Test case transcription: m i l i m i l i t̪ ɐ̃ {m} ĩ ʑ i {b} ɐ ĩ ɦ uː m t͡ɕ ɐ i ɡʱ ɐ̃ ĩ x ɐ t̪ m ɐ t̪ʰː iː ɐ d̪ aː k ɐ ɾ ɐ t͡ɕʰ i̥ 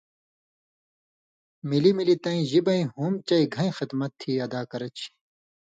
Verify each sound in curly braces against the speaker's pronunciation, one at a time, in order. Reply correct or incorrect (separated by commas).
incorrect, correct